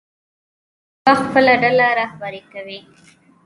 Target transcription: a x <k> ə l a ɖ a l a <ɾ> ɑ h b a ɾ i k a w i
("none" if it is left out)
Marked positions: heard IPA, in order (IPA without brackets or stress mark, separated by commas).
p, ɾ